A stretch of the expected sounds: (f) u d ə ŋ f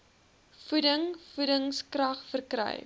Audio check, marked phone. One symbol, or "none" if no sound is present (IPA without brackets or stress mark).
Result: f